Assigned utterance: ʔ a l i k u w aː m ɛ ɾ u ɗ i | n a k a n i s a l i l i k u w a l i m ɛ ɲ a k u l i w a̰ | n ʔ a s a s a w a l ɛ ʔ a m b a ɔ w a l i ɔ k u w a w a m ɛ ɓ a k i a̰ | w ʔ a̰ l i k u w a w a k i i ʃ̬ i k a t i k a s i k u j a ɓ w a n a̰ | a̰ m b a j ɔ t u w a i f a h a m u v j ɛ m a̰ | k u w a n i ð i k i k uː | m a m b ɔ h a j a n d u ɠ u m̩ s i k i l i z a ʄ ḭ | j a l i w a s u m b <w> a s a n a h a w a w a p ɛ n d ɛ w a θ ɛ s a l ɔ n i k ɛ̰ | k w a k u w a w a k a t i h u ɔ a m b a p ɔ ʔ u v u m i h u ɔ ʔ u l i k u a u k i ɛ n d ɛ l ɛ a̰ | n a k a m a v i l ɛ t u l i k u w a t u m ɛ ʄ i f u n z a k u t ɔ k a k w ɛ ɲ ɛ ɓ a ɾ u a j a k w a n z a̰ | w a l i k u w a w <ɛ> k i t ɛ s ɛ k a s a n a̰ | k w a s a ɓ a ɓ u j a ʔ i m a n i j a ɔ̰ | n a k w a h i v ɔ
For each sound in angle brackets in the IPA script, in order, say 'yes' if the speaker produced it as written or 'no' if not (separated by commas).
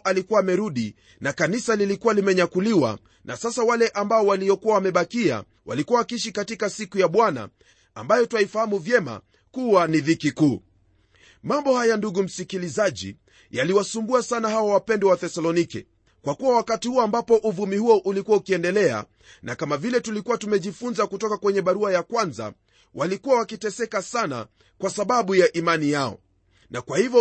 no, no